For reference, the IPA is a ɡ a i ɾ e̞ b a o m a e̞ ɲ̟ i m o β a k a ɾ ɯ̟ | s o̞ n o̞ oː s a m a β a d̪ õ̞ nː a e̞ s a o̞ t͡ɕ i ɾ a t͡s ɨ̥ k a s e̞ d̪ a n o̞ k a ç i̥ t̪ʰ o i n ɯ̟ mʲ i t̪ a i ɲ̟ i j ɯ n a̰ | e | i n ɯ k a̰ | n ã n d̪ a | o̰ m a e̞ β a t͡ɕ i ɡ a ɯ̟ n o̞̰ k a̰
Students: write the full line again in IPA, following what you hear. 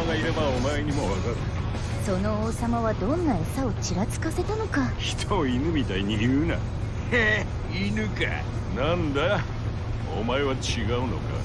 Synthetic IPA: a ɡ a i ɾ e̞ b a o m a e̞ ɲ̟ i m o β a k a ɾ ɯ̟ | s o̞ n o̞ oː s a m a β a d̪ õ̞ nː a e̞ s a o̞ t͡ɕ i ɾ a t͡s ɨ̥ k a s e̞ t̪ a n o̞ k a ç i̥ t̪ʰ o i n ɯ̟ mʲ i t̪ a i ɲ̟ i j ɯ n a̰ | e | i n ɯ k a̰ | n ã n d̪ a | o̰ m a e̞ β a t͡ɕ i ɡ a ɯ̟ n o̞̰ k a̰